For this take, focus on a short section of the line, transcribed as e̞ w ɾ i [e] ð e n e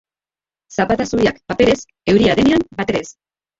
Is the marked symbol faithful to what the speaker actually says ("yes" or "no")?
no